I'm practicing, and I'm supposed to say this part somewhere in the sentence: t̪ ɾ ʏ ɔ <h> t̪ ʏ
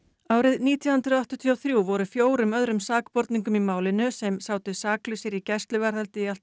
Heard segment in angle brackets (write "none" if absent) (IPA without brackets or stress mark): h